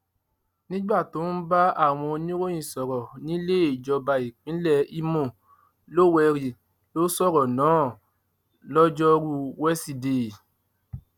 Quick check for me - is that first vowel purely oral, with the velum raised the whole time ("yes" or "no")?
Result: no